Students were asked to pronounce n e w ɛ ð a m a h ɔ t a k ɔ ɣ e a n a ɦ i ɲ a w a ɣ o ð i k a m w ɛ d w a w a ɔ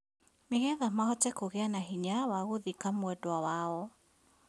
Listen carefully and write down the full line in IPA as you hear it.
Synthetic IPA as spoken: m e ɣ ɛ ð a m a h ɔ t ɛ k o ɣ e a n a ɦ i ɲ a w a ɣ o ð i k a m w ɛ d w a w a ɔ

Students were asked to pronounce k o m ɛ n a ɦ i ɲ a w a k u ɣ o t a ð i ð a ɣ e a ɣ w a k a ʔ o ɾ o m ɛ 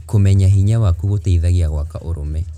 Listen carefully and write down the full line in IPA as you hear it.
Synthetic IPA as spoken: k o m ɛ ɲ a ɦ i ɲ a w a k u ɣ o t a i ð a ɣ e a ɣ w a k a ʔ o ɾ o m ɛ

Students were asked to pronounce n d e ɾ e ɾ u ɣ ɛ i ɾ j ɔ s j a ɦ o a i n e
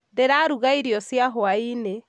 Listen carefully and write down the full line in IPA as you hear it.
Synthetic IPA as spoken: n d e ɾ a ɾ u ɣ a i ɾ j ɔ s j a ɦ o a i n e

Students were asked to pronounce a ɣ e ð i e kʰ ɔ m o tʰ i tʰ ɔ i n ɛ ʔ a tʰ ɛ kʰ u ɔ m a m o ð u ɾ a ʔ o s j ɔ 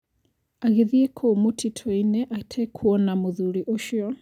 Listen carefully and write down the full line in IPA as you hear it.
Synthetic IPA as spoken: a ɣ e ð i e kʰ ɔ m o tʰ i tʰ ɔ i n ɛ ʔ a tʰ ɛ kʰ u ɔ n a m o ð u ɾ i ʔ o ʃ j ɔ

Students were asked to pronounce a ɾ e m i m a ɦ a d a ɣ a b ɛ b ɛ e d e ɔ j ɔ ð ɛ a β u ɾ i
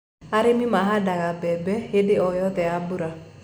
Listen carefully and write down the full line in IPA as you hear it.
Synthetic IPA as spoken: a ɾ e m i m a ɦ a d a ɣ a b ɛ b ɛ e d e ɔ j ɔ ð ɛ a b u ɾ a

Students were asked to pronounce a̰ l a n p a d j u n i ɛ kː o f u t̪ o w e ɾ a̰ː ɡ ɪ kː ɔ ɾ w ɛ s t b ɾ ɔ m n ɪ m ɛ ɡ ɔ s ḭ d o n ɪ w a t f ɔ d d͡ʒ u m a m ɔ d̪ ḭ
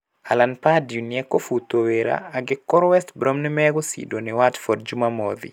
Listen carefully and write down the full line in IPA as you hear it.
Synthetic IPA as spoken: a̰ l a n p a d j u n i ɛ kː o f u t̪ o w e ɾ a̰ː ɡ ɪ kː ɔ ɾ w ɛ s t b ɾ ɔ m n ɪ m ɛ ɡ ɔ s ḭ d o n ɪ w a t f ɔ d d͡ʒ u m a m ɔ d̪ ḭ

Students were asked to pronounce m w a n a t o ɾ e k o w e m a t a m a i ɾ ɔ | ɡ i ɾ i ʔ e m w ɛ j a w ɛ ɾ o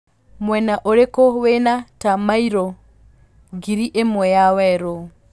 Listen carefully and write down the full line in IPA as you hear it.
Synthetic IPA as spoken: m w ɛ n a ʔ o ɾ e k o w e n a t a m a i ɾ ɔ | ɡ i ɾ i ʔ e m w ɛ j a w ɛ ɾ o

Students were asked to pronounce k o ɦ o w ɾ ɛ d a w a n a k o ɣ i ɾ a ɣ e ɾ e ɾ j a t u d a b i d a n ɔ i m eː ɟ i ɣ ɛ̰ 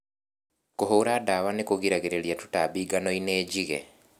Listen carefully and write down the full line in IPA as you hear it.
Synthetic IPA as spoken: k o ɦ o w ɾ a d a w a n e k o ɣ i ɾ a ɣ e ɾ e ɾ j a t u t a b i ɡ a n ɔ i n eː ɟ i ɣ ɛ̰

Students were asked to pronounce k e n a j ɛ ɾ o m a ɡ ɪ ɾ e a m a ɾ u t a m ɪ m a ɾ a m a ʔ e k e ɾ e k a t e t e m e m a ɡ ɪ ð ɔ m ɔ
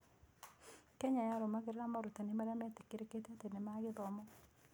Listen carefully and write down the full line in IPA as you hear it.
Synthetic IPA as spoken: k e ɲ a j a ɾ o m a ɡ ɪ ɾ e a m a ɾ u t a n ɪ m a ɾ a m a t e k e ɾ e k e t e t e n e m a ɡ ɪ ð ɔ m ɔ

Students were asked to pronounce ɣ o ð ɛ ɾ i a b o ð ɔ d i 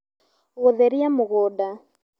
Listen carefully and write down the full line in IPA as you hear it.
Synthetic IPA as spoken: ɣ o ð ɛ ɾ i a m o ɣ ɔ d a

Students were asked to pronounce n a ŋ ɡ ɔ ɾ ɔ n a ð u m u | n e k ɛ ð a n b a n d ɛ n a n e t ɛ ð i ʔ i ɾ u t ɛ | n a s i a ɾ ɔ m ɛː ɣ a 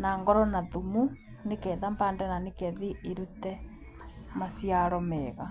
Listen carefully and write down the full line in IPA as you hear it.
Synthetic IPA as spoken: n a ŋ ɡ ɔ ɾ ɔ n a ð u m u | n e k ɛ ð a m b a n d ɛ n a n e k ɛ ð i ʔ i ɾ u t ɛ | m a s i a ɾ ɔ m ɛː ɣ a

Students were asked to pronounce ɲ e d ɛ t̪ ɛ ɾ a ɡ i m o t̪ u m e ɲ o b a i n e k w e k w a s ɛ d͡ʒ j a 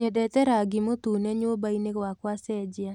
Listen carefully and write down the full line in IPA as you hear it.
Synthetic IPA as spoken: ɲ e d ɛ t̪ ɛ ɾ a ɡ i m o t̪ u n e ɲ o b a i n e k w a k w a s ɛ d͡ʒ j a

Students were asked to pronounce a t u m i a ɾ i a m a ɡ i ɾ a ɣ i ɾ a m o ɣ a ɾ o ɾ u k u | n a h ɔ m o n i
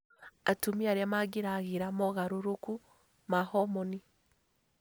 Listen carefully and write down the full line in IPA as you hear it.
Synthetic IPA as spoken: a t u m i a ɾ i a m a ɡ i ɾ a ɣ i ɾ a m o ɣ a ɾ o ɾ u k u | m a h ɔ m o n i

